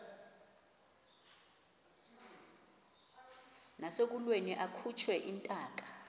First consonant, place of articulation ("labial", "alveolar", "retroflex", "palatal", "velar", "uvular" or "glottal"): alveolar